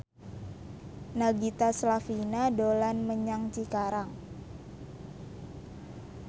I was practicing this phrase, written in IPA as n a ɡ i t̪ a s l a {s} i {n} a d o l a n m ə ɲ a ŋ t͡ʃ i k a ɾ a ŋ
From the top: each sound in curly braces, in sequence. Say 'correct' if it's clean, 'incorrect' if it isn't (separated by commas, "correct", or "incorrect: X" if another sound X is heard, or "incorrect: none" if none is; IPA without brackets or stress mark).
incorrect: f, correct